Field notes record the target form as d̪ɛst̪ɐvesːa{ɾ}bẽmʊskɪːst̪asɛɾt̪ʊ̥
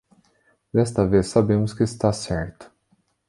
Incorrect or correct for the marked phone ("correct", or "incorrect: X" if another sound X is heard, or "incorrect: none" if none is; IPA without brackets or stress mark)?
incorrect: none